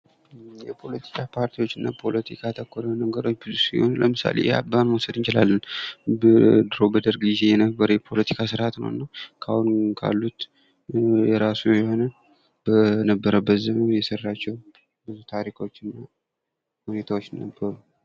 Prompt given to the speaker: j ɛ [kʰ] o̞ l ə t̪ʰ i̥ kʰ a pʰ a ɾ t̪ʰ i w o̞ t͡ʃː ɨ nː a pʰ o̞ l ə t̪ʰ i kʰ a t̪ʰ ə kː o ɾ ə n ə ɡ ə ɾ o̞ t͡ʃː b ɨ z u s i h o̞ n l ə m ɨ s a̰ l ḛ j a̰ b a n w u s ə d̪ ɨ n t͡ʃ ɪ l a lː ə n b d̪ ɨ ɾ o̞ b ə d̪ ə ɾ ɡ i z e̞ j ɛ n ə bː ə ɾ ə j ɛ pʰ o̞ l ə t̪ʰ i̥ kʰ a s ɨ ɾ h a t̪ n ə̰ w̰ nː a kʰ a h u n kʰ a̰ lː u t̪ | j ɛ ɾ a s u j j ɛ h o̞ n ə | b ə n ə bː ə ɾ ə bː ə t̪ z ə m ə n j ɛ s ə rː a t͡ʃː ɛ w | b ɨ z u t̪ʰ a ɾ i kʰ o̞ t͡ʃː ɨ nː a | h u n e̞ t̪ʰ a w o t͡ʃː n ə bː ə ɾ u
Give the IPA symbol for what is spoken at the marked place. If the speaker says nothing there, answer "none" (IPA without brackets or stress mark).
pʰ